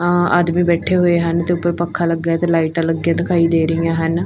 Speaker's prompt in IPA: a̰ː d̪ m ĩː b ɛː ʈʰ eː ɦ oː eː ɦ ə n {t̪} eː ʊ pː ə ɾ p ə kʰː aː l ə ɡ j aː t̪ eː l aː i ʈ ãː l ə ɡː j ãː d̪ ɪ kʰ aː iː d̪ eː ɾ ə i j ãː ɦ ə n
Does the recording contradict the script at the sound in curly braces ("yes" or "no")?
no